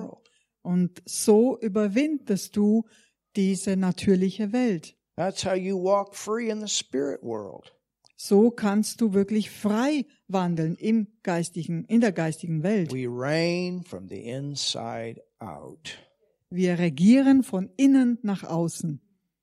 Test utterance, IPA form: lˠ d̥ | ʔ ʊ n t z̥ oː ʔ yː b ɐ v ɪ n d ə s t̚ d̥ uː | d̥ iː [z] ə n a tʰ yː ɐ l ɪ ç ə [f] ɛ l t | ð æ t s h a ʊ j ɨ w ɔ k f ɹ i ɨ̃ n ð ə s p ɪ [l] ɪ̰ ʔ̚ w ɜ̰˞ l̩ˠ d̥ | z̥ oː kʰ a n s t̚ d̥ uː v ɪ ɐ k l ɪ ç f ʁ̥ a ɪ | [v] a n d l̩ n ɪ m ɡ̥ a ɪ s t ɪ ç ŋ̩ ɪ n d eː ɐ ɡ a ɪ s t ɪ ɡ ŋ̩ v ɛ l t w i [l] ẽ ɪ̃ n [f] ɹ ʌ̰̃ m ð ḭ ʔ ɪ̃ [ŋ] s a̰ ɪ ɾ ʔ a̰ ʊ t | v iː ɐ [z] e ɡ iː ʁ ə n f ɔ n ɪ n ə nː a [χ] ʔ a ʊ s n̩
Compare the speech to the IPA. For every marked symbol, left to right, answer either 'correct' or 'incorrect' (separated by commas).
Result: correct, incorrect, incorrect, correct, incorrect, correct, incorrect, incorrect, correct